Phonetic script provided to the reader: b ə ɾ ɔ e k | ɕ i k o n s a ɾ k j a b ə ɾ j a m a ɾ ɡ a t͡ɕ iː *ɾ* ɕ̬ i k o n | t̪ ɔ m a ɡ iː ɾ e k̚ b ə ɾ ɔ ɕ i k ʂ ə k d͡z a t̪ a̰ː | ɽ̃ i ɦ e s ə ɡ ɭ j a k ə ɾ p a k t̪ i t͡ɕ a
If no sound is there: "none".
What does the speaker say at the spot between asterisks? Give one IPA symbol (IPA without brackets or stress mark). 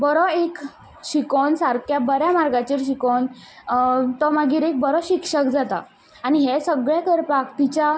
ɾ